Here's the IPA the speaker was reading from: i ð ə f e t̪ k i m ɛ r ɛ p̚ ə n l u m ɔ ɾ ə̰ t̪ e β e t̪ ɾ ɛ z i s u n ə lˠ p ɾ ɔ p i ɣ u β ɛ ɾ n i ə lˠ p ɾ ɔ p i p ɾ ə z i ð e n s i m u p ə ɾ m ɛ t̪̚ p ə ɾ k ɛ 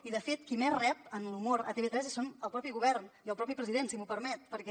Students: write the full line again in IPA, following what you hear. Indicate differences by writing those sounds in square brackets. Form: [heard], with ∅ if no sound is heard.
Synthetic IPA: i ð ə f e t̪ k i m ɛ r ɛ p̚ ə n l u m [o] ɾ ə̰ t̪ e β e t̪ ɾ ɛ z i s [o] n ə lˠ p ɾ ɔ p i ɣ u β ɛ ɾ n i ə lˠ p ɾ ɔ p i p ɾ ə z i ð e n s i m u p ə ɾ m ɛ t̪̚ p ə ɾ k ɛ